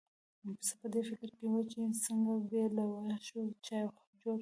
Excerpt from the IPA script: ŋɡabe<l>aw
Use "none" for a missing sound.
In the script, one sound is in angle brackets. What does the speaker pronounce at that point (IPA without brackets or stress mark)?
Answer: l